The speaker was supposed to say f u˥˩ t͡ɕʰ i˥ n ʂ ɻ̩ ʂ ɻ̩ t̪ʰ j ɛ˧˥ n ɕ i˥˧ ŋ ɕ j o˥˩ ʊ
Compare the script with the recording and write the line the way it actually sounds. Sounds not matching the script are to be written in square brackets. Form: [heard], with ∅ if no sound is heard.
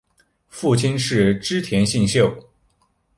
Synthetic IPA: f u˥˩ t͡ɕʰ i˥ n ʂ ɻ̩ [ʈ͡ʂ] ɻ̩ t̪ʰ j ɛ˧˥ n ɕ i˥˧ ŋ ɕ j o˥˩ ʊ